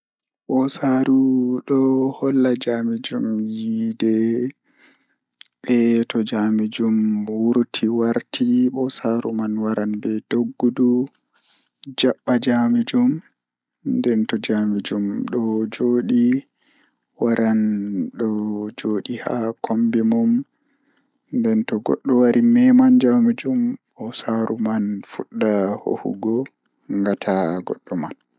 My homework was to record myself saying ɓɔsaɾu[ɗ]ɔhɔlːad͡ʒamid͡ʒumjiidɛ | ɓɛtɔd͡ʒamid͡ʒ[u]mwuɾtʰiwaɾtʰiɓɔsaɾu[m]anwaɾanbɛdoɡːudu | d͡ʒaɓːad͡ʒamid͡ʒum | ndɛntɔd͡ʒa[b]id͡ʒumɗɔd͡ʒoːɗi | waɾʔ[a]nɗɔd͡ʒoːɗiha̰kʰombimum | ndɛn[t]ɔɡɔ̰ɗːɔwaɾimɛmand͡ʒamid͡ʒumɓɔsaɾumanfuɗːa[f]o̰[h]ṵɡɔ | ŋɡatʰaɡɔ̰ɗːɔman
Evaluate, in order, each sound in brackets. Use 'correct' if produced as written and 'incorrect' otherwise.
correct, correct, correct, incorrect, correct, correct, incorrect, correct

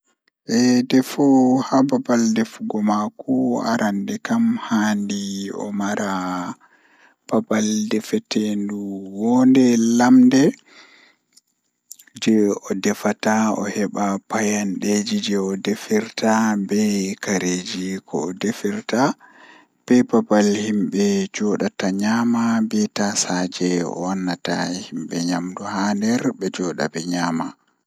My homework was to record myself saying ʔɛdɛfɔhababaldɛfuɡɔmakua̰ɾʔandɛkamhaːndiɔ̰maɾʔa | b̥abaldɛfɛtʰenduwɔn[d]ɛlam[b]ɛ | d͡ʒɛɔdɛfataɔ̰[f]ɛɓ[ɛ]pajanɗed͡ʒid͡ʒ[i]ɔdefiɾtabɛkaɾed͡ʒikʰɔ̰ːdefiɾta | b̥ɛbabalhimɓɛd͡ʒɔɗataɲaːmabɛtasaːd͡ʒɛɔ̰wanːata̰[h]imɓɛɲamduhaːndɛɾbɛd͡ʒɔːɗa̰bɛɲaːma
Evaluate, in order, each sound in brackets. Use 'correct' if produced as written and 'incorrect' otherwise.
correct, incorrect, incorrect, incorrect, incorrect, correct

